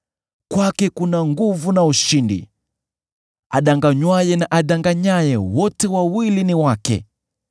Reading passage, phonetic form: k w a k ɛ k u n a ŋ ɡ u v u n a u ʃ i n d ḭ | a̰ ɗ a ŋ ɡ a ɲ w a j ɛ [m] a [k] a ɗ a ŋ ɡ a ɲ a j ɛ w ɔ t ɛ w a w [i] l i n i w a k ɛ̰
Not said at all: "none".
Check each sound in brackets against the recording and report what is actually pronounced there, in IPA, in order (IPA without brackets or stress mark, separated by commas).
n, ʔ, i